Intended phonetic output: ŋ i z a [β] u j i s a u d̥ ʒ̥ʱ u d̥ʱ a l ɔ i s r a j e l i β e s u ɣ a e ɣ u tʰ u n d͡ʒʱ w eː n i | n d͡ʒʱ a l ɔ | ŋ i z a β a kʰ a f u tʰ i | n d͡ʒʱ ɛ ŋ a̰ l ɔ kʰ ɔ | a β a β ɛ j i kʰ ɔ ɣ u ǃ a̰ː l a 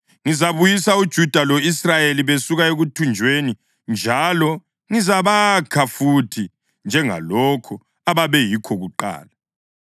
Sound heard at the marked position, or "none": β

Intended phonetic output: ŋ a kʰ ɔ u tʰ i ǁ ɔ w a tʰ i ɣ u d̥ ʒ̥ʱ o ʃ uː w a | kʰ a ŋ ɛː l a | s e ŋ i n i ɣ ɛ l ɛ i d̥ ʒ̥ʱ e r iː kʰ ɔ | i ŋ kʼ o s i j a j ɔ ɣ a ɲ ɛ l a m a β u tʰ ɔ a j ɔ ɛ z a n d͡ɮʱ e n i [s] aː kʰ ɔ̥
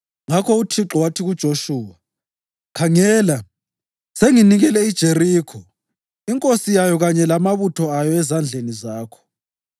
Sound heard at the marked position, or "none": z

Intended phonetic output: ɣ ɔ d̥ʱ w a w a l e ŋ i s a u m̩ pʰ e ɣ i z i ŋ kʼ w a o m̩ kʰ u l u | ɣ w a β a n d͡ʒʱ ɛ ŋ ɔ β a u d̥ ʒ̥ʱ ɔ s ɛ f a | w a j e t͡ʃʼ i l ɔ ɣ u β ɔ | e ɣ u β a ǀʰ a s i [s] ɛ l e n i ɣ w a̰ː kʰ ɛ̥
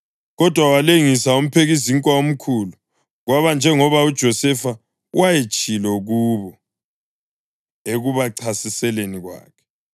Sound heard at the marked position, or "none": s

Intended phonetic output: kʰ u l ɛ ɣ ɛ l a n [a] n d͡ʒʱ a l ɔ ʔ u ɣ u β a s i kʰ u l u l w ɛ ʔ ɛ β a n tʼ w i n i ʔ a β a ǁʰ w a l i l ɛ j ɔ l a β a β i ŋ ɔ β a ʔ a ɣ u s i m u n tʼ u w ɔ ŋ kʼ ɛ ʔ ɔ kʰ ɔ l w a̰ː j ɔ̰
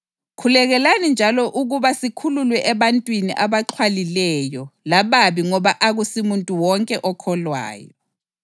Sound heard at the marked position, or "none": i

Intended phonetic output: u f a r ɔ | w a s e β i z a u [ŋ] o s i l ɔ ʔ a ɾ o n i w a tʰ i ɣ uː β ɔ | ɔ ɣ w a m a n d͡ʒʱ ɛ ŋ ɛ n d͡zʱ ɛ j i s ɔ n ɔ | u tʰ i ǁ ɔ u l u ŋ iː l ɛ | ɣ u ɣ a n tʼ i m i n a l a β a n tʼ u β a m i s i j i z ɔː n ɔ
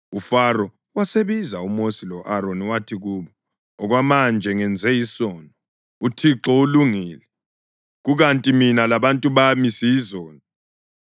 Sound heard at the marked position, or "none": m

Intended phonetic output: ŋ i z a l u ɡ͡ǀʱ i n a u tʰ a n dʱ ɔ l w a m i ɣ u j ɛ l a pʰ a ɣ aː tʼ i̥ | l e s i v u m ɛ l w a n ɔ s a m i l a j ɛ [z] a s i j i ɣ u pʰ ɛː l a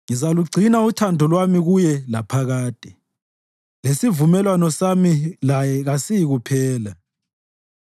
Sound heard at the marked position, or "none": ɣ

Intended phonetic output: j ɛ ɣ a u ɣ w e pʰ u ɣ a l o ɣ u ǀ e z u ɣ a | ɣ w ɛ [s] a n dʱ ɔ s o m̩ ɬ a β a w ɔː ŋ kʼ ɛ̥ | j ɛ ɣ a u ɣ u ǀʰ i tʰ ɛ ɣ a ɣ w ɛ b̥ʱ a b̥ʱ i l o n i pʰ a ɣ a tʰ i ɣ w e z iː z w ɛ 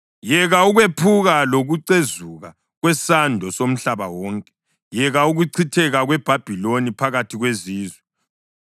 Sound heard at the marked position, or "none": s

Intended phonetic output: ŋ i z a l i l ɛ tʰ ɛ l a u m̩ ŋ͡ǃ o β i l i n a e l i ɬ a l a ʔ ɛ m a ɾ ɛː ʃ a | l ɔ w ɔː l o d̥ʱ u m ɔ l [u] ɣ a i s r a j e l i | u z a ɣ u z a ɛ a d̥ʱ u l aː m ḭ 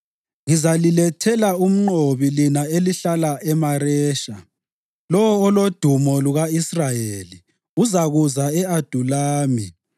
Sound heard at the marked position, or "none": u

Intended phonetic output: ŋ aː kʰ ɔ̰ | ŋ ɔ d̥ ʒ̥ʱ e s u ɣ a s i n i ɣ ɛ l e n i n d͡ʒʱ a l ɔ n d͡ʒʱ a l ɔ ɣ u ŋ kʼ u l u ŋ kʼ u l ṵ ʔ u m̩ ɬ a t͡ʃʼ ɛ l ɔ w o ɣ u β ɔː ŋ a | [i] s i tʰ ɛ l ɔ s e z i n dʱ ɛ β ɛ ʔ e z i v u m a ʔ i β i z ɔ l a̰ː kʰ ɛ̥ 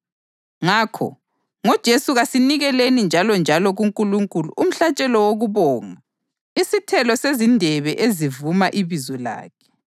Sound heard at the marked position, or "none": i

